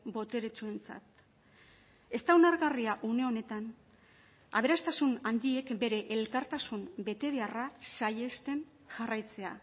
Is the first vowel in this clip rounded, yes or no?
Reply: yes